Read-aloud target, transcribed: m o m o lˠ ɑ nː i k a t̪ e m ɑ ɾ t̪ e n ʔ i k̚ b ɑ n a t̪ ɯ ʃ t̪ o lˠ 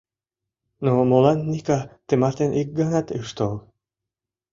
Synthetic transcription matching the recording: n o m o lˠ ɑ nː i k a t̪ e m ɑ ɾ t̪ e n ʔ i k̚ ɡ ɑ n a t̪ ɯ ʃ t̪ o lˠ

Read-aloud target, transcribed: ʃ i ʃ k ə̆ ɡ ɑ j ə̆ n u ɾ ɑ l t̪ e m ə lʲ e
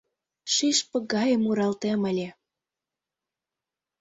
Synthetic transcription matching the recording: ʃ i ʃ p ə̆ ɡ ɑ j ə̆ m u ɾ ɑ l t̪ e m ə lʲ e

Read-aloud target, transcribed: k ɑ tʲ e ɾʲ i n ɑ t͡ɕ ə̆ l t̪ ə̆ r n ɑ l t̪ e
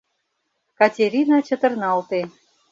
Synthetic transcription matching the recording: k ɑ tʲ e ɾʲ i n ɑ t͡ɕ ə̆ t̪ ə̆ r n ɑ l t̪ e

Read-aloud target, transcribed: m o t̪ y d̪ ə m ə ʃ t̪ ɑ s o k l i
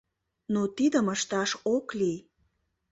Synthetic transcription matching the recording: n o t̪ i d̪ ə m ə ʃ t̪ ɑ ʃ o k l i

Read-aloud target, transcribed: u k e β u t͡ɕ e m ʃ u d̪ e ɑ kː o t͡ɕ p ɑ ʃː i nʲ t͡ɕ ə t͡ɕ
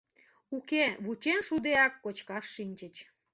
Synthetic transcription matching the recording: u k e β u t͡ɕ e n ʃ u d̪ e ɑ kː o t͡ɕ k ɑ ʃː i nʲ t͡ɕ ə t͡ɕ

